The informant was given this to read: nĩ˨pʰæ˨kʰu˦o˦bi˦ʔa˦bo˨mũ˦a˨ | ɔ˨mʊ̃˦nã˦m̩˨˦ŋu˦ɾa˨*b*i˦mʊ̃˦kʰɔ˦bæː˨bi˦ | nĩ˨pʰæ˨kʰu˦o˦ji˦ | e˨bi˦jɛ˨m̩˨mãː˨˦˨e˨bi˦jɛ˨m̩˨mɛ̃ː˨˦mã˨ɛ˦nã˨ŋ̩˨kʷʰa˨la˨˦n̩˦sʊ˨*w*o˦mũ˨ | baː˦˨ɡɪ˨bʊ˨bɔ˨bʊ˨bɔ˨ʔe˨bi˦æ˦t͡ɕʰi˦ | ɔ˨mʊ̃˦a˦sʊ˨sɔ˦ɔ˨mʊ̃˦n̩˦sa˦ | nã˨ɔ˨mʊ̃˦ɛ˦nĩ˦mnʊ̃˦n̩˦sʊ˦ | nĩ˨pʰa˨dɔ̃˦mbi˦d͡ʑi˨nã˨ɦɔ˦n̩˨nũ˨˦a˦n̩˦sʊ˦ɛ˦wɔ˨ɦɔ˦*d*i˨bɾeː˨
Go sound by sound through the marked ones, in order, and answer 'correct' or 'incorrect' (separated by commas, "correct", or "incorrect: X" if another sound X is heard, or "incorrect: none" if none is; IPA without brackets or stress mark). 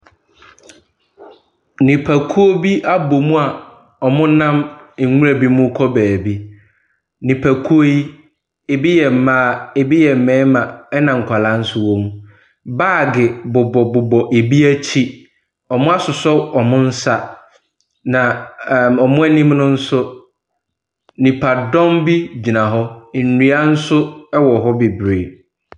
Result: correct, correct, incorrect: b